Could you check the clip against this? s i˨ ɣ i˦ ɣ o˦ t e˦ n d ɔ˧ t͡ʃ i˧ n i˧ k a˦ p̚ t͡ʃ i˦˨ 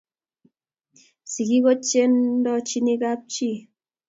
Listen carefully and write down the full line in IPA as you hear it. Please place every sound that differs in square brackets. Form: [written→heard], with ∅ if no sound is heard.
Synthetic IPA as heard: s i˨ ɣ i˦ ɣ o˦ [t→t͡ʃ] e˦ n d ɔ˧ t͡ʃ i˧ n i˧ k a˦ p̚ t͡ʃ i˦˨